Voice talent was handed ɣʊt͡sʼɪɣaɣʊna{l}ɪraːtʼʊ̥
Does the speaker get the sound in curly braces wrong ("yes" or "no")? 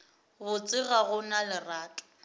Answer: no